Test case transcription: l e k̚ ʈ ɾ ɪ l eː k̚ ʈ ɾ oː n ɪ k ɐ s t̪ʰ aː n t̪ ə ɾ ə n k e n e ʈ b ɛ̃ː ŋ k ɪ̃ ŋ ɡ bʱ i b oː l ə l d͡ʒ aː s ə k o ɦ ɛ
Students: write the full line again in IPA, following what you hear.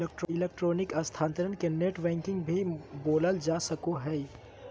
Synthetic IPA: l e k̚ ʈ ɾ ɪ l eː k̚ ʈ ɾ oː n ɪ k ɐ s t̪ʰ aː n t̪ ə ɾ ə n k e n e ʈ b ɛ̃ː ŋ k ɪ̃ ŋ ɡ bʱ i b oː l ə l d͡ʒ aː s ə k o ɦ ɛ